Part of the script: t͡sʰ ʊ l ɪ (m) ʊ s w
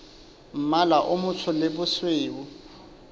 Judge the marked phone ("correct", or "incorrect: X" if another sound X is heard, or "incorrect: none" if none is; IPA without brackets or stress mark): incorrect: b